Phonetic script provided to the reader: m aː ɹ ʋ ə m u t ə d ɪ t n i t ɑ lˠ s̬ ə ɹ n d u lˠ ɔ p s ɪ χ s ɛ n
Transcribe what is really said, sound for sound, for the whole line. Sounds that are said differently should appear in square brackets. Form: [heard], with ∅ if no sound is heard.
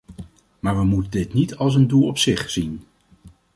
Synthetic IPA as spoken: m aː ɹ ʋ ə m u t ə d ɪ t n i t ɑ lˠ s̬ ə [∅] n d u lˠ ɔ p s ɪ χ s [i] n